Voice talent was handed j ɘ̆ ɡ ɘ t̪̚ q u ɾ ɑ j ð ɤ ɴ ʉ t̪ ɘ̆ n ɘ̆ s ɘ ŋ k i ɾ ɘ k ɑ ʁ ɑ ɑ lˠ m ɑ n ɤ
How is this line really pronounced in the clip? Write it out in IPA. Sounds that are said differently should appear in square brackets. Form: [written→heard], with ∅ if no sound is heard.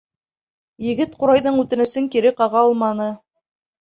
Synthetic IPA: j ɘ̆ ɡ ɘ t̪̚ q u ɾ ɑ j ð ɤ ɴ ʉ t̪ ɘ̆ n ɘ̆ s ɘ ŋ k i ɾ ɘ [k→q] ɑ ʁ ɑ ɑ lˠ m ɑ n ɤ